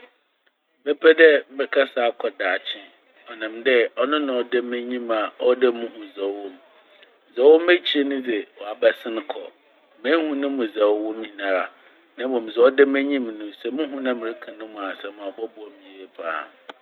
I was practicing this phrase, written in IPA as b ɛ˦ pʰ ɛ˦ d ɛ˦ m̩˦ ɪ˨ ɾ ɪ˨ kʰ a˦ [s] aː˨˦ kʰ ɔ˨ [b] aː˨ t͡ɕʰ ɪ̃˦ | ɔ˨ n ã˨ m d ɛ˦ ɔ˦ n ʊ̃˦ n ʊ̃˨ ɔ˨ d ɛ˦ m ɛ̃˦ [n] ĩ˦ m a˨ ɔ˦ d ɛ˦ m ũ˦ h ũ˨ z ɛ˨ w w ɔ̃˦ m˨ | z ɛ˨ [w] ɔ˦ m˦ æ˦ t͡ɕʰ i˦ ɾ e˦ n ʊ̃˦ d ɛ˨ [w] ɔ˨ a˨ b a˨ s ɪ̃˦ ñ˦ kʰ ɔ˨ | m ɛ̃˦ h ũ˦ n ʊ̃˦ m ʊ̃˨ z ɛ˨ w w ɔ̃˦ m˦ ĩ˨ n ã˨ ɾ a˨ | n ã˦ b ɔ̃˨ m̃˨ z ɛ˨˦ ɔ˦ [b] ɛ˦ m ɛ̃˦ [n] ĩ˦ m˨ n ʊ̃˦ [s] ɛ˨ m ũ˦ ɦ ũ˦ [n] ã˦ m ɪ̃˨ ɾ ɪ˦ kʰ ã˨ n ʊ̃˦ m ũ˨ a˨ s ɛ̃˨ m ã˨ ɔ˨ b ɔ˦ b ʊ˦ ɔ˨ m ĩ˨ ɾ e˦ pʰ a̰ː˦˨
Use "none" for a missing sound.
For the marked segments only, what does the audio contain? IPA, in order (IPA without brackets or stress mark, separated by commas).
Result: s, d, ɲ, w, w, d, ɲ, s, n